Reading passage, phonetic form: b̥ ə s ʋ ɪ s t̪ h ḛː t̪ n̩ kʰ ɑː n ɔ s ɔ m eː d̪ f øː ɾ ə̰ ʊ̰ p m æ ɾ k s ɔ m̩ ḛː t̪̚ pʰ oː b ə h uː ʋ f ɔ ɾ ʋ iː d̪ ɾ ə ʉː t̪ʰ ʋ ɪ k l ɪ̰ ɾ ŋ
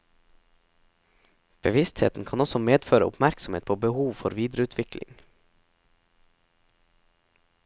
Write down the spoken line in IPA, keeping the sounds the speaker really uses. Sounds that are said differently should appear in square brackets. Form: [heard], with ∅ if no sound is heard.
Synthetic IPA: b̥ ə [∅] ʋ ɪ s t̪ h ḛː t̪ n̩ kʰ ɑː n ɔ s ɔ m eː d̪ f øː ɾ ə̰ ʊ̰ p m æ ɾ k s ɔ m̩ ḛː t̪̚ pʰ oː b ə h uː ʋ f ɔ ɾ ʋ iː d̪ ɾ ə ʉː t̪ʰ ʋ ɪ k l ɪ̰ [∅] ŋ